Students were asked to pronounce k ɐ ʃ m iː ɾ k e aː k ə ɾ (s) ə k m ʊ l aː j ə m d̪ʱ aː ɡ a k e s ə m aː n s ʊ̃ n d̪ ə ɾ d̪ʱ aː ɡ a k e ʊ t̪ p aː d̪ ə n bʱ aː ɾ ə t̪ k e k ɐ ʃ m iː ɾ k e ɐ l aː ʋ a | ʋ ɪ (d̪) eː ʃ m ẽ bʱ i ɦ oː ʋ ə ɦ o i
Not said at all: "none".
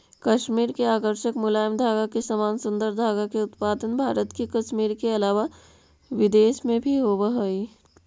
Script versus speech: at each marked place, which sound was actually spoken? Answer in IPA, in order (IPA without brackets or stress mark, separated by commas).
ʃ, d̪